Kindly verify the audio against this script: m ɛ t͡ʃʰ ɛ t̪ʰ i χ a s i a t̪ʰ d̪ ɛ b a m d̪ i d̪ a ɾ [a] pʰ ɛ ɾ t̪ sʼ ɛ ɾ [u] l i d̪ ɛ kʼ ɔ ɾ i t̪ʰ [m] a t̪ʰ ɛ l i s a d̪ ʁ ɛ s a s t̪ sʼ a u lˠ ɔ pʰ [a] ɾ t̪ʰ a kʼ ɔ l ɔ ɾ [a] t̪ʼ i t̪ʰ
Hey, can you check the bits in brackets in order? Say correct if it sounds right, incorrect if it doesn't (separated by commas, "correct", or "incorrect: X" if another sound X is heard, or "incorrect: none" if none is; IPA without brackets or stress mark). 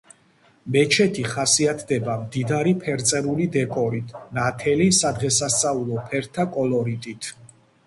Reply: incorrect: i, correct, incorrect: n, incorrect: ɛ, incorrect: i